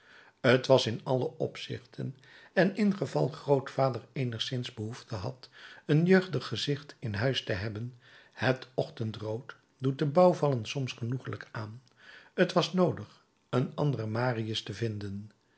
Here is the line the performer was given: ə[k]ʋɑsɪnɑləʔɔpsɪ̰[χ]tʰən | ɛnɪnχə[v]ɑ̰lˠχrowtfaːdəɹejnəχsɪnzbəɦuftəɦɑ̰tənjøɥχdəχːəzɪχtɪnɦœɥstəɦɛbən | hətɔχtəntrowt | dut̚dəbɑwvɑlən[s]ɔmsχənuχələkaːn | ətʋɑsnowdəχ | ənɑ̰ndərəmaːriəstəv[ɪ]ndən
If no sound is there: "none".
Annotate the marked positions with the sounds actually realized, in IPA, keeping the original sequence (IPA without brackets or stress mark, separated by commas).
t, χ, v, s, ɪ